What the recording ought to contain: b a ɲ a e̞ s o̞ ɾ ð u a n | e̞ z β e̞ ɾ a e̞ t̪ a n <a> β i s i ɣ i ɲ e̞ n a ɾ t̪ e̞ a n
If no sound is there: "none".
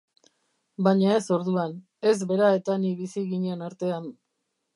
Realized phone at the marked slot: i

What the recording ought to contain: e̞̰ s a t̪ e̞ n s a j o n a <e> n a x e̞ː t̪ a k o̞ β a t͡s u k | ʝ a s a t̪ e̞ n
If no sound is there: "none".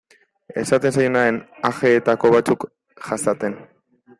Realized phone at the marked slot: e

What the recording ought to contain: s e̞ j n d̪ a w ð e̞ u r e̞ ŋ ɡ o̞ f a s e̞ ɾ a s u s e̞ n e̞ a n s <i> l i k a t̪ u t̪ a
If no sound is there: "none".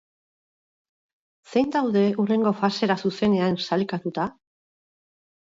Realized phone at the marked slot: a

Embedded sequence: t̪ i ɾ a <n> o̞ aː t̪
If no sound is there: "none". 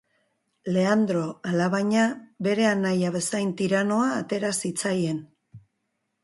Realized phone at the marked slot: n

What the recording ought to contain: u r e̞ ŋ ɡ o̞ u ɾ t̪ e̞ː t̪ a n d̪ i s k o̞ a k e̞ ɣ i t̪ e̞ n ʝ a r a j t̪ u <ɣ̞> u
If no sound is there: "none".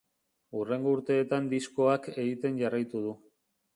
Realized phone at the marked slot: ð̞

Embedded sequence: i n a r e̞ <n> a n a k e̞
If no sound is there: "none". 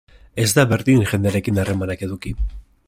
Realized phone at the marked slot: m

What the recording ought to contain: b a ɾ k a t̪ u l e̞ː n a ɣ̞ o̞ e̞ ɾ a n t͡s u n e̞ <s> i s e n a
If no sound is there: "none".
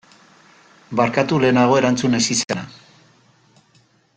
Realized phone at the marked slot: s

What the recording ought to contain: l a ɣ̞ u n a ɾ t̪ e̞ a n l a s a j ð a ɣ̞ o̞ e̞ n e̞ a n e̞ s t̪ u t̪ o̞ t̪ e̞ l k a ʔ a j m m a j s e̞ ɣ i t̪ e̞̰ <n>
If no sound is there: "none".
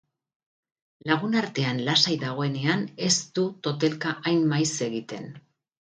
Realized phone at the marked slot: n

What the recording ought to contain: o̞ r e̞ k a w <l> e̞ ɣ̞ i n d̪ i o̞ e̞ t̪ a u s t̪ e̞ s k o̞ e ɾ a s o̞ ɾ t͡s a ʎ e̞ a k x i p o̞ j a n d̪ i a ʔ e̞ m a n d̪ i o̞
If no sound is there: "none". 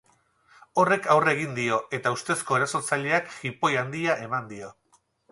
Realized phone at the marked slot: r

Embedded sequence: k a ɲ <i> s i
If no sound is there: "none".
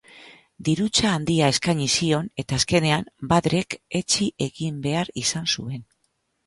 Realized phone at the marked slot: i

